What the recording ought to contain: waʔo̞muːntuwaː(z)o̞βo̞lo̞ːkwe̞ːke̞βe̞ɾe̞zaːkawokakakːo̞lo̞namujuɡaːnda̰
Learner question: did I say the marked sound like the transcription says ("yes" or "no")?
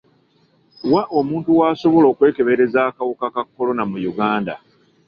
no